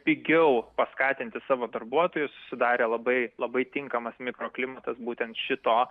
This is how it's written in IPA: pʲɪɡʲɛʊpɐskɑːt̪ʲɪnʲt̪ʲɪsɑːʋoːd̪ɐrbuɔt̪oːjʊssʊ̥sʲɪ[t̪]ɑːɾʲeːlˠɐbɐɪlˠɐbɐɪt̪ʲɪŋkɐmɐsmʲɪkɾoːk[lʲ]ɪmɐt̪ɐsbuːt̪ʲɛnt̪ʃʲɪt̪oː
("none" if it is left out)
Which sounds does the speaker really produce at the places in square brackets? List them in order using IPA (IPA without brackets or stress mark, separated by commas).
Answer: d̪, lʲ